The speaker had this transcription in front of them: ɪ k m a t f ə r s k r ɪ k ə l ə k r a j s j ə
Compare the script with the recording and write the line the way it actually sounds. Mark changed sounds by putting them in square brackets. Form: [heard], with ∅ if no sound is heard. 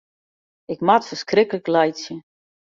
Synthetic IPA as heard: ɪ k m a t f ə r s k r ɪ k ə l ə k [l] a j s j ə